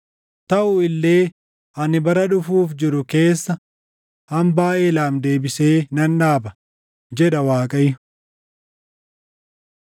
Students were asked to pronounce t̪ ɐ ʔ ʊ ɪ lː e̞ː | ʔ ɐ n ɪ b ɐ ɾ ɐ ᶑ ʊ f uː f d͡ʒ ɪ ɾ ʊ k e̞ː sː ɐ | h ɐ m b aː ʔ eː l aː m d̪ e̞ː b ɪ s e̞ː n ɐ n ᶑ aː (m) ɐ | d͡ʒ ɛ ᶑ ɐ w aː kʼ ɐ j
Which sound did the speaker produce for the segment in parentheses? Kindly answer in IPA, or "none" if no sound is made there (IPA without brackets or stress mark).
b